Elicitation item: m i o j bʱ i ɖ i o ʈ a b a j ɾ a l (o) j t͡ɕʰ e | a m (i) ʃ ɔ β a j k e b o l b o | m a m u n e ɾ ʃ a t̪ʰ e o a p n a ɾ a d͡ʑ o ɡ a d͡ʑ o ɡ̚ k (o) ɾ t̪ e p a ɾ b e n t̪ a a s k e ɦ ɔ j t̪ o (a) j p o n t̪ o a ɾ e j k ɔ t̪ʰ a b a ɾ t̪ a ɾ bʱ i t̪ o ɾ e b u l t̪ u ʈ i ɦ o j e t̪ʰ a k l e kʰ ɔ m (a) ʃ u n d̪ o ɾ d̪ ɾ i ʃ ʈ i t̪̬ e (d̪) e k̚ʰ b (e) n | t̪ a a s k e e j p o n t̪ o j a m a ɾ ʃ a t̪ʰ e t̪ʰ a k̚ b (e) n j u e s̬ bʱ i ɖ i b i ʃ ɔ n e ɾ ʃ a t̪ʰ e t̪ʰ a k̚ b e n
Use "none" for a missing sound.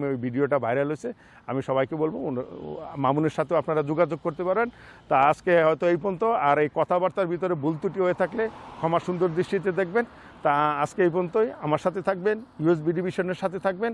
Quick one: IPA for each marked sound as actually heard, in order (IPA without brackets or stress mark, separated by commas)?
o, i, o, e, a, d̪, e, e